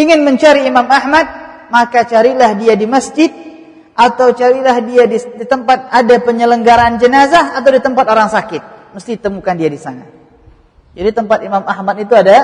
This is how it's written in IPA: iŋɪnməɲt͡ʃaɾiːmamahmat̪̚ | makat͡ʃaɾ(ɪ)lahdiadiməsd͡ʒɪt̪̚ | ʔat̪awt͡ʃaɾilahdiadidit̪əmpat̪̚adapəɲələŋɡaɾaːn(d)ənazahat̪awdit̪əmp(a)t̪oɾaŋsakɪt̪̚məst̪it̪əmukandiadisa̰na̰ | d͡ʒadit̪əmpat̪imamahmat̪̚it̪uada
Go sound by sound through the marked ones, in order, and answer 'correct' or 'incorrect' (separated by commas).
incorrect, incorrect, correct